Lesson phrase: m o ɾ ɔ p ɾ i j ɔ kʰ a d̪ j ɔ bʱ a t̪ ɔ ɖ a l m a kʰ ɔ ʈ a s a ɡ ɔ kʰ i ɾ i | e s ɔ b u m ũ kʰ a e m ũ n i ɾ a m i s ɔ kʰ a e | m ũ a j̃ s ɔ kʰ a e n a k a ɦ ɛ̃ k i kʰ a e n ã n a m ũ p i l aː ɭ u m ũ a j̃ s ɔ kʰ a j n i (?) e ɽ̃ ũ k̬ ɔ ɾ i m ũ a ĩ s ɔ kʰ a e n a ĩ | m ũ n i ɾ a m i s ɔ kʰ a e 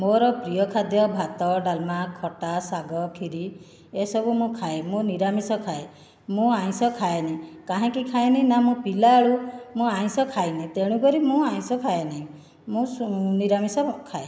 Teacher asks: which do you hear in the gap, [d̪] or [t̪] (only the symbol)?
t̪